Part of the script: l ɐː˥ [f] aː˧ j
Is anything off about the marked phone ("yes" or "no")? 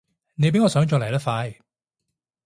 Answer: no